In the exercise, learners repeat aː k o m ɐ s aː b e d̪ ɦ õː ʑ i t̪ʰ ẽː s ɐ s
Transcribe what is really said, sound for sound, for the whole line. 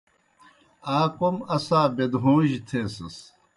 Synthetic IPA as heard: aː k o m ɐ s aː b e d̪ ɦ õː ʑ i t̪ʰ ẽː s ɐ s